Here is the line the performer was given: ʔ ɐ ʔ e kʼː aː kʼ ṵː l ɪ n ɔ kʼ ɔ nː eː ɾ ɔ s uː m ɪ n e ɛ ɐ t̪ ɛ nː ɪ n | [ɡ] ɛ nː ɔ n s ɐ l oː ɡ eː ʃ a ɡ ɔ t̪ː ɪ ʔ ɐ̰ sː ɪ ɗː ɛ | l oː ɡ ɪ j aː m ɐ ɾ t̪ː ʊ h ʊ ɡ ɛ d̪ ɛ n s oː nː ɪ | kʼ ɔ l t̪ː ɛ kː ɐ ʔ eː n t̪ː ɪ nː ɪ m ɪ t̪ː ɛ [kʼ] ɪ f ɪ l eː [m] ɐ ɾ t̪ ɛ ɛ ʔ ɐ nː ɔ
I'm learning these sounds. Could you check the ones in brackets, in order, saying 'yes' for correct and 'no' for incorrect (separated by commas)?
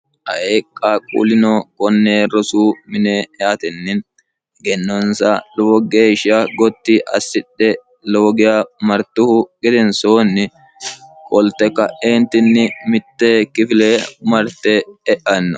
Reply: yes, no, yes